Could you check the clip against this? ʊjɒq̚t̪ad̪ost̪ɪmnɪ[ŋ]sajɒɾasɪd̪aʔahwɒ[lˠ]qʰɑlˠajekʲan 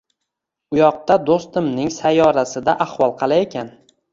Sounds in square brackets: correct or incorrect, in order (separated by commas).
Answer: correct, correct